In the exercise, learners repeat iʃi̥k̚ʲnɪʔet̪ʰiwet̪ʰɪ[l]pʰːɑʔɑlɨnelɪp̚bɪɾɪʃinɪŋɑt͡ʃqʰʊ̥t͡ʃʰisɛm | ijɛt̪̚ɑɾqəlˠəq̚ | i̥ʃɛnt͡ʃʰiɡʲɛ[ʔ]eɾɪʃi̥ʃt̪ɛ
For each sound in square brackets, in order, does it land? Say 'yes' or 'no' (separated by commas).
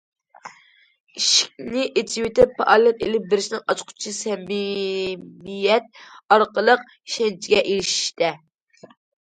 no, yes